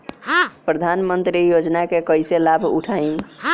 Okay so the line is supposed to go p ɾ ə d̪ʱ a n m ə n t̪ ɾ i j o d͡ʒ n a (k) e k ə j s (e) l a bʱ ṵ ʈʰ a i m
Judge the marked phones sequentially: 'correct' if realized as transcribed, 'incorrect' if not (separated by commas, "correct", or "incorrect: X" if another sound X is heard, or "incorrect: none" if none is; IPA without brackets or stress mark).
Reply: correct, correct